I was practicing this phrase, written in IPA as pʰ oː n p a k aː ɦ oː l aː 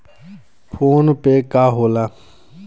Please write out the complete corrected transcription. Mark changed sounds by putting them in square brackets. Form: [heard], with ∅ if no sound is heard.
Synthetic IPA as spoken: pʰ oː n p [e] k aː ɦ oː l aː